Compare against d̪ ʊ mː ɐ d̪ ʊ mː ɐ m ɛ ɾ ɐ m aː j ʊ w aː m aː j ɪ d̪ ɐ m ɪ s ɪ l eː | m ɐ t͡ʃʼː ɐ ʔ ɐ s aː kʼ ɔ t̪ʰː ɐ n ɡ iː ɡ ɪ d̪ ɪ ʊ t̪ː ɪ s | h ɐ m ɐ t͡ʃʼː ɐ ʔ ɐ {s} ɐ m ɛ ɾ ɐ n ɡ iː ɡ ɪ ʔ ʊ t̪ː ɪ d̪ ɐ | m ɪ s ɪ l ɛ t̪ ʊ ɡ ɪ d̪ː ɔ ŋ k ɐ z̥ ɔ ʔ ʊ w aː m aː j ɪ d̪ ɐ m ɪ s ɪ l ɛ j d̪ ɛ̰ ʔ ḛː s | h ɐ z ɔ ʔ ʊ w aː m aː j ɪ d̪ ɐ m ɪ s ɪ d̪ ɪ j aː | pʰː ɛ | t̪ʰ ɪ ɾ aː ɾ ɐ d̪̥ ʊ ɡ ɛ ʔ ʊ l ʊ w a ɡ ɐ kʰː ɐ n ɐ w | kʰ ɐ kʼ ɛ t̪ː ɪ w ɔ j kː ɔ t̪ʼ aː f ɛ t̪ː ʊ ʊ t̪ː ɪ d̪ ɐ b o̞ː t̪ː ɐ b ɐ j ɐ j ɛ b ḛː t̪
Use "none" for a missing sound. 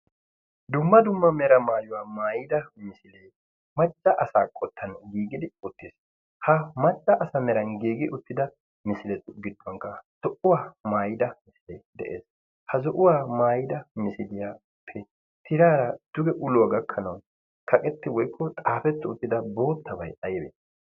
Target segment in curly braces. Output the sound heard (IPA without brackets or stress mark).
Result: s